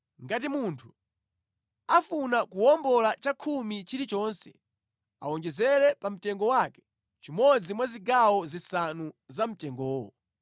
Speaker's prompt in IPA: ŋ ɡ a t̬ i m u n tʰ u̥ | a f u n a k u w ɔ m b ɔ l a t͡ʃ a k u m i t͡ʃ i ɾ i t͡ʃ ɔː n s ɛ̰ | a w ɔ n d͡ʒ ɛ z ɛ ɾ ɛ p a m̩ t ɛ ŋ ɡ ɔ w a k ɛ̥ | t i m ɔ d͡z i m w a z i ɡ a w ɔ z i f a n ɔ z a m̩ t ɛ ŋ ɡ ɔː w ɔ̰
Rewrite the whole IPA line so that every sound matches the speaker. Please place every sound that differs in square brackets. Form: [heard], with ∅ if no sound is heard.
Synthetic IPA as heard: ŋ ɡ a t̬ i m u n tʰ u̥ | a f u n a k u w ɔ m b ɔ l a t͡ʃ a [kʰ] u m i t͡ʃ i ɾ i t͡ʃ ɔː n s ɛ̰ | a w ɔ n d͡ʒ ɛ z ɛ ɾ ɛ p a m̩ t ɛ ŋ ɡ ɔ w a k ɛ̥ | [t͡ʃ] i m ɔ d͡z i m w a z i ɡ a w ɔ z i [s] a n [u] z a m̩ t ɛ ŋ ɡ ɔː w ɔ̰